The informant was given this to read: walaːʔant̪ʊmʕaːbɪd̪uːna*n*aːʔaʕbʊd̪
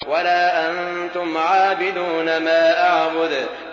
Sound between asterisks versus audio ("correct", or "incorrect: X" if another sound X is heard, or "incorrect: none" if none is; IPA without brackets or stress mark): incorrect: m